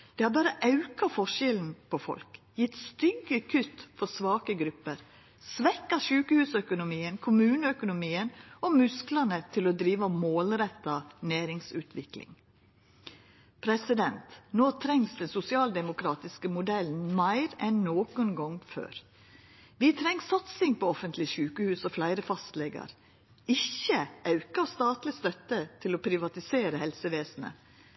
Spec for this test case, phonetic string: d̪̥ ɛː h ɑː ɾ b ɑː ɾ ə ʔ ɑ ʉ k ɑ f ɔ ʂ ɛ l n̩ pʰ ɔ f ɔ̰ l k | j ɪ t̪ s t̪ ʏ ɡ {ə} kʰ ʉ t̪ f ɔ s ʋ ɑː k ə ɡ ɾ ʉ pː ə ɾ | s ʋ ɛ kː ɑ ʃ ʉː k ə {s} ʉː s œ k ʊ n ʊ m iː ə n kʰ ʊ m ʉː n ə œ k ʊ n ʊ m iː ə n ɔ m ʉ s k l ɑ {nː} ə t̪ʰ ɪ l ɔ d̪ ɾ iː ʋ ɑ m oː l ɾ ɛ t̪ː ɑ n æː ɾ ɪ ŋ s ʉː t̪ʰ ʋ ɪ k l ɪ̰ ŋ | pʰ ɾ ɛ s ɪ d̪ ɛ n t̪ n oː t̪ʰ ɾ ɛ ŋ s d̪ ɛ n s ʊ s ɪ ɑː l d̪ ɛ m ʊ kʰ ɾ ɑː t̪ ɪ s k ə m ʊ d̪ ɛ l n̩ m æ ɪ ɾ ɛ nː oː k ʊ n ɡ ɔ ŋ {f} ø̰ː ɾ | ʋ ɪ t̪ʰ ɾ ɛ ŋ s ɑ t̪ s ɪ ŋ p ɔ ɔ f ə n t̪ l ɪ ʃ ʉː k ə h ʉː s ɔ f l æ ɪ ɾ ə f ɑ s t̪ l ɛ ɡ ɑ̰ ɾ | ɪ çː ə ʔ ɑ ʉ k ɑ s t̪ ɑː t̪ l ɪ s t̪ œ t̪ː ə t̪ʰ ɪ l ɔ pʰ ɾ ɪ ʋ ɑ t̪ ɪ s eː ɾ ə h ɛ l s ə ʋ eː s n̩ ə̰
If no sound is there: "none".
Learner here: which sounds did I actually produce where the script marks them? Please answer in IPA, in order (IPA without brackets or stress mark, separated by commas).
ə, h, n, f